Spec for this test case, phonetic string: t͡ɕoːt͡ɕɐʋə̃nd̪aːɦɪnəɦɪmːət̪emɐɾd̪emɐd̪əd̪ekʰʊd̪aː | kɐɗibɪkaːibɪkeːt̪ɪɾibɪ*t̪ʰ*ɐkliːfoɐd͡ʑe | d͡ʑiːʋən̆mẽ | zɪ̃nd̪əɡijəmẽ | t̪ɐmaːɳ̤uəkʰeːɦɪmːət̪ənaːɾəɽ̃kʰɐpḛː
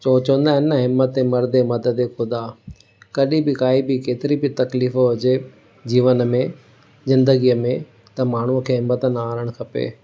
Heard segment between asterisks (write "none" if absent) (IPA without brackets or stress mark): t̪